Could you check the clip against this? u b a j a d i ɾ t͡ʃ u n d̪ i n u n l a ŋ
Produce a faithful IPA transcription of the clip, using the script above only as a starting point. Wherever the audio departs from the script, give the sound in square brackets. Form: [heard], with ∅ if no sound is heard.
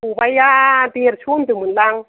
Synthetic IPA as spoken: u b a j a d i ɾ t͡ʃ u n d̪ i [m] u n l a ŋ